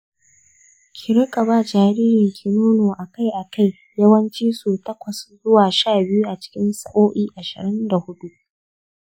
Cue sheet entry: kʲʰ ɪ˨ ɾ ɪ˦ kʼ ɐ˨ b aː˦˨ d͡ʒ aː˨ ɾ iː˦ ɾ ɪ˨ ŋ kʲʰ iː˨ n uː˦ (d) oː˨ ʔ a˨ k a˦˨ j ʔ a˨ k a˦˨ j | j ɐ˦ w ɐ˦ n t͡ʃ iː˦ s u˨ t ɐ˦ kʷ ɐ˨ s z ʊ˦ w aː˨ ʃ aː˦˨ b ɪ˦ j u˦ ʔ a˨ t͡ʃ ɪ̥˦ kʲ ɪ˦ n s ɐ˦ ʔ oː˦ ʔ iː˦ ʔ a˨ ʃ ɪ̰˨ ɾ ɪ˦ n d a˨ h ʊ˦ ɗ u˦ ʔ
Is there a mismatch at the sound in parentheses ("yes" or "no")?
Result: yes